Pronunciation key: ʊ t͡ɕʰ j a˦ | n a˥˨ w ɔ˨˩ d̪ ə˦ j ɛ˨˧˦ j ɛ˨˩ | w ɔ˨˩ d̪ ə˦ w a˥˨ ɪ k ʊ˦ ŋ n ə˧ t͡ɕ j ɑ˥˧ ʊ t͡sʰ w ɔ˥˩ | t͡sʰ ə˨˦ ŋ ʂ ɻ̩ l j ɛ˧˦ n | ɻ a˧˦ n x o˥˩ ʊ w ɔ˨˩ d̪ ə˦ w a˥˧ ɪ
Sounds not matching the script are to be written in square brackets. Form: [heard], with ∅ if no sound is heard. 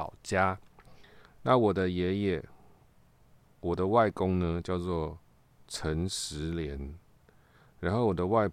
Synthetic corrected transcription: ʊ [t͡ɕ] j a˦ | n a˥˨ w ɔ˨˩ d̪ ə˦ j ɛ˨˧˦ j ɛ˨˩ | w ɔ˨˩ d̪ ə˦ w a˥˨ ɪ k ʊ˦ ŋ n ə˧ t͡ɕ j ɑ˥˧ ʊ [t͡s] w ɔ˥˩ | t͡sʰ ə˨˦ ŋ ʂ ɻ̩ l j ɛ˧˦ n | ɻ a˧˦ n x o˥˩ ʊ w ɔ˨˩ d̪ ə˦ w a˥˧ ɪ